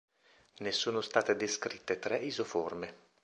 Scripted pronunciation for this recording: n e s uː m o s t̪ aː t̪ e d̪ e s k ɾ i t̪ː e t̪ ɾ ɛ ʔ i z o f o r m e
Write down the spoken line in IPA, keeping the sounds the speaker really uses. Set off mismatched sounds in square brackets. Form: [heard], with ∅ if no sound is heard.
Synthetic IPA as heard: n e s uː [n] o s t̪ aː t̪ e d̪ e s k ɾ i t̪ː e t̪ ɾ ɛ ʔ i z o f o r m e

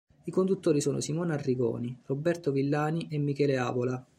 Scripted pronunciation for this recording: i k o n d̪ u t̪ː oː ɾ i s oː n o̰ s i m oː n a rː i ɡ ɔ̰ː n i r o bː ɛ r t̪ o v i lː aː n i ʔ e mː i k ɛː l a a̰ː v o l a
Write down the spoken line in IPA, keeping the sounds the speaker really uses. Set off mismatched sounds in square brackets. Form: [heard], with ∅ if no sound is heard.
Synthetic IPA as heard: i k o n d̪ u t̪ː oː ɾ i s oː n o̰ s i m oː n a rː i ɡ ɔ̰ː n i r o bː ɛ r t̪ o v i lː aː n i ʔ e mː i k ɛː l [e] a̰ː v o l a

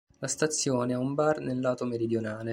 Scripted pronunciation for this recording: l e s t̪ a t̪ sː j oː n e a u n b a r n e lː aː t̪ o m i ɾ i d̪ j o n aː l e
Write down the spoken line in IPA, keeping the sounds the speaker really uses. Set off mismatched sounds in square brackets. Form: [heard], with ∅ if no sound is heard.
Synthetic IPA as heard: l [a] s t̪ a t̪ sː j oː n e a u [m] b a r n e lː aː t̪ o m [e] ɾ i d̪ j o n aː l e

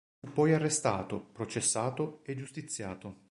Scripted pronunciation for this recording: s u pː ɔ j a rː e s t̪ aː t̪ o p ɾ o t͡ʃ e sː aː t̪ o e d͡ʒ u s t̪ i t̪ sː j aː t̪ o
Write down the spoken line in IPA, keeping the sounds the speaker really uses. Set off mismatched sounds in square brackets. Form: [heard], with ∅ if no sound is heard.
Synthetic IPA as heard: [f] u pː ɔ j a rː e s t̪ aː t̪ o p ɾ o t͡ʃ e sː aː t̪ o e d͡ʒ u s t̪ i t̪ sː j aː t̪ o

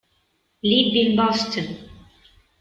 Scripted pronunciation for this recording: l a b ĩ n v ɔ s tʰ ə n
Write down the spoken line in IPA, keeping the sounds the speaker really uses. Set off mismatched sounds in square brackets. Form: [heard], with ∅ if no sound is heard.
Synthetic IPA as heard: l [i] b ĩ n [b] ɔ s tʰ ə n

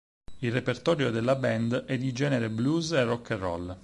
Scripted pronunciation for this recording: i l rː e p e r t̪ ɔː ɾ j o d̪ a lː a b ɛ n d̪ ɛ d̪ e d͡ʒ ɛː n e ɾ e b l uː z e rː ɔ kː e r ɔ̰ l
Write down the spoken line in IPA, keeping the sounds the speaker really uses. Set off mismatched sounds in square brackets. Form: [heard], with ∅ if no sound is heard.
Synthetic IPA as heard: i l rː e p e r t̪ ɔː ɾ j o d̪ [e] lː a b ɛ n d̪ ɛ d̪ [i] d͡ʒ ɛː n e ɾ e b l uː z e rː ɔ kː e r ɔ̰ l

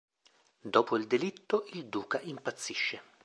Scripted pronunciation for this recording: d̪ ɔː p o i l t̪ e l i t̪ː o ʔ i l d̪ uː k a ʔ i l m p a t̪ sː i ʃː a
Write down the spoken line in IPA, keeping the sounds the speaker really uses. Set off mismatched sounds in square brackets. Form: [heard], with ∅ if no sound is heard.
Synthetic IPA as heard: d̪ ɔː p o i l [d̪] e l i t̪ː o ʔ i l d̪ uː k a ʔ i [∅] m p a t̪ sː i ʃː [e]

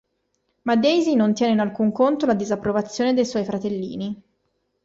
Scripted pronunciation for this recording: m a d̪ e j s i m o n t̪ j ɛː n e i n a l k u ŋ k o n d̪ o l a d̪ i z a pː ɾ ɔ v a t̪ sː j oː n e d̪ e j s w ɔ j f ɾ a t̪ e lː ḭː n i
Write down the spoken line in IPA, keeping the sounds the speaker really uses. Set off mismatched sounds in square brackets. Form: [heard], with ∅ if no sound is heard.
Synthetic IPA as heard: m a d̪ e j [z] i [n] o n t̪ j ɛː n e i n a l k u ŋ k o n [t̪] o l a d̪ i z a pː ɾ [o] v a t̪ sː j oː n e d̪ e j s w ɔ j f ɾ a t̪ e lː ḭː n i

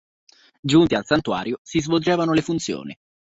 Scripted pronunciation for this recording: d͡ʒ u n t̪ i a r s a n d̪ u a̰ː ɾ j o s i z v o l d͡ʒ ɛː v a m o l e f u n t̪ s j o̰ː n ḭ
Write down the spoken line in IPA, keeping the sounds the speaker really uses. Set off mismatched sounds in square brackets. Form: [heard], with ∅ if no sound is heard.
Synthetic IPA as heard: d͡ʒ u n t̪ i a [l] s a n [t̪] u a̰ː ɾ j o s i z v o l d͡ʒ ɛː v a [n] o l e f u n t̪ s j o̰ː n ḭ

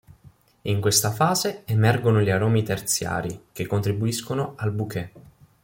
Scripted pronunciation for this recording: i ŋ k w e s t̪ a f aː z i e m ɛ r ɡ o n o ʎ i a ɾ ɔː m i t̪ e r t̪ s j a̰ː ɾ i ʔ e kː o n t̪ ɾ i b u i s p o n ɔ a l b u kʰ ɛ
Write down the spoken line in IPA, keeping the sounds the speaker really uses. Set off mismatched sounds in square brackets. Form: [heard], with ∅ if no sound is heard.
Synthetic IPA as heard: i ŋ k w e s t̪ a f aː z [e] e m ɛ r ɡ o n o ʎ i a ɾ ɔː m i t̪ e r t̪ s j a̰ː ɾ i [k] e kː o n t̪ ɾ i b u i s [k] o n [o] a l b u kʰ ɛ

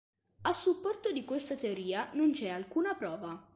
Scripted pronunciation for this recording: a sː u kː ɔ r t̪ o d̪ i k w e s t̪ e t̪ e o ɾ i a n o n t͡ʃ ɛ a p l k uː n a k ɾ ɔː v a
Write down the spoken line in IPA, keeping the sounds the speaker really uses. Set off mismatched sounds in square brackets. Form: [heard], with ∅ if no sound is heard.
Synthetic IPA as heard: a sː u [pː] ɔ r t̪ o d̪ i k w e s t̪ [a] t̪ e o ɾ [iː] a n o n t͡ʃ ɛ a [∅] l k uː n a [p] ɾ ɔː v a

